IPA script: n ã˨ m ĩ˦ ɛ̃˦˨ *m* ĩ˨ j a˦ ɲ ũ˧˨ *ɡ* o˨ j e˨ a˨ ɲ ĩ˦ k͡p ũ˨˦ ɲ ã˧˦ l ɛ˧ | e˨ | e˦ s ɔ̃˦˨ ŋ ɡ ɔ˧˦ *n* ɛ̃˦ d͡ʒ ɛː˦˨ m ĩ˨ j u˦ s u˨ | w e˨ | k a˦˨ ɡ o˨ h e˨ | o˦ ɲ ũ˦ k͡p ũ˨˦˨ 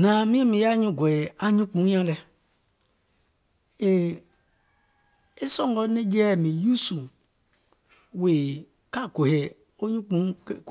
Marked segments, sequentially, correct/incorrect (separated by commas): correct, correct, correct